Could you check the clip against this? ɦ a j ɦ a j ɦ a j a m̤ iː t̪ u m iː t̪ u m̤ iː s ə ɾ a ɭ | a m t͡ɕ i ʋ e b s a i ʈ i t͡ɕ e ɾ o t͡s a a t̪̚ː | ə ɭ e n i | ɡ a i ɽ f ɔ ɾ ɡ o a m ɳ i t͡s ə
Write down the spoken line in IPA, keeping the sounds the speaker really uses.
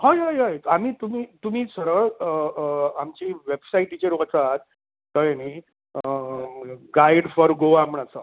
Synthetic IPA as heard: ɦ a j ɦ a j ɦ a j a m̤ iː t̪ u m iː t̪ u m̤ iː s ə ɾ ə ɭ | a m t͡ɕ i ʋ e b s a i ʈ i t͡ɕ e ɾ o t͡s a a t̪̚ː | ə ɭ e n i | ɡ a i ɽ f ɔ ɾ ɡ o a m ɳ a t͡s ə